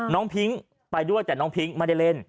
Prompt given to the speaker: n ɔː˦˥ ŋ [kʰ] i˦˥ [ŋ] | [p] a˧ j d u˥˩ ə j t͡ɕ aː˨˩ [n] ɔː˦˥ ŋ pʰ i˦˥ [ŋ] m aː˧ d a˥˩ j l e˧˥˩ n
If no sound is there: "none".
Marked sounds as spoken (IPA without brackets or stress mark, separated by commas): pʰ, ŋ, p, n, ŋ